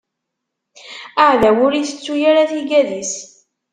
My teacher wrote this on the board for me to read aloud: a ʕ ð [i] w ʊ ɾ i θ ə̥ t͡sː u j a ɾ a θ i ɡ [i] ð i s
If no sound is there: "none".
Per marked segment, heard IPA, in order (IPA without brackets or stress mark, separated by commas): æ, æ